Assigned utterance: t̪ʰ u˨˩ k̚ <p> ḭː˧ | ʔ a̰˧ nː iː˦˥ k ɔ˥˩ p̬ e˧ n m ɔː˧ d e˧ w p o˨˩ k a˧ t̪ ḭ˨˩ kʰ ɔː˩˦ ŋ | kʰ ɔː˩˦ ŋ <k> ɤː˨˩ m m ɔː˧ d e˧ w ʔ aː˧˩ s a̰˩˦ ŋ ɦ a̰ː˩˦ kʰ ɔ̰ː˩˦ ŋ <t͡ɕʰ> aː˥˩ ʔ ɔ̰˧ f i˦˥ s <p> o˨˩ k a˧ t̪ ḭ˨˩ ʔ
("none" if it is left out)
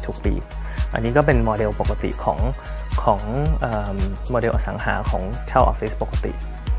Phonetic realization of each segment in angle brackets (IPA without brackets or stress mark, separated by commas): p, ʔ, t͡ɕʰ, p